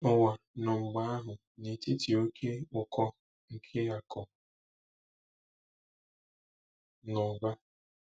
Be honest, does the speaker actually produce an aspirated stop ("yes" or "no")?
yes